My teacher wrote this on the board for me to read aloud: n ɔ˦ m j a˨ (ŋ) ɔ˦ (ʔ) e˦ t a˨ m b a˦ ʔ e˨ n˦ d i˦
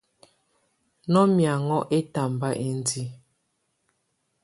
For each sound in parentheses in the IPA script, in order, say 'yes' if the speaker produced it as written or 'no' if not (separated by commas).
yes, yes